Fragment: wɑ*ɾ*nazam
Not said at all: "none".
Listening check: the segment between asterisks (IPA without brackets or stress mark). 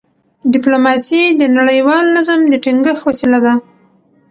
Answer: l